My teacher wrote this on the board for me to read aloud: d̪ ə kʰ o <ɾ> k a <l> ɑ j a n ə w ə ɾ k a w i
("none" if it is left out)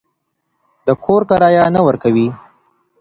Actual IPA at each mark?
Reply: ɾ, ɾ

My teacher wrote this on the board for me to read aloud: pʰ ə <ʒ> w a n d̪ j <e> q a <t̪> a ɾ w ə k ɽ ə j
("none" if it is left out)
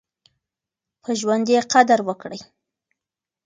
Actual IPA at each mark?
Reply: ʒ, e, d̪

